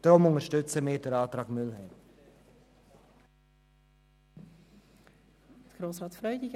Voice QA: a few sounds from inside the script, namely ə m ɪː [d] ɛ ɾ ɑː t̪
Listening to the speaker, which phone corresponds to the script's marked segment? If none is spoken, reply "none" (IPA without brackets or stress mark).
d